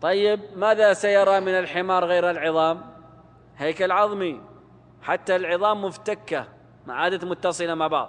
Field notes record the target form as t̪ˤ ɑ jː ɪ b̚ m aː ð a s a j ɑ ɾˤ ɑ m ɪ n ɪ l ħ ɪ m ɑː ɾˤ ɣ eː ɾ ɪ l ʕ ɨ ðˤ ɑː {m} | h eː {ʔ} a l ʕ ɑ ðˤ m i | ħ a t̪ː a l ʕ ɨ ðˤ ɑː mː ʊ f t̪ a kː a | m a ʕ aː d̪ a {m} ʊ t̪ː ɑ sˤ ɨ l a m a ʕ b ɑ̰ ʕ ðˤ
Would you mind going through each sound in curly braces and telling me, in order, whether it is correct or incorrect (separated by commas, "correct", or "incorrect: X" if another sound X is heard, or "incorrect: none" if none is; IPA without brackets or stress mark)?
correct, incorrect: k, correct